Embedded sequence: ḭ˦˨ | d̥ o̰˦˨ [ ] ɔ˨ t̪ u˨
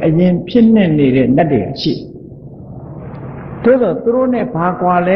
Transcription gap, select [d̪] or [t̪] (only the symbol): d̪